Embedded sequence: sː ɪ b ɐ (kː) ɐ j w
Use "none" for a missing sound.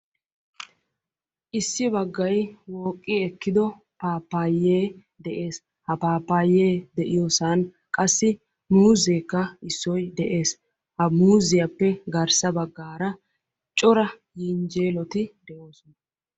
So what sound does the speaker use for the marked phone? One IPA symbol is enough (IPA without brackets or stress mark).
ɡː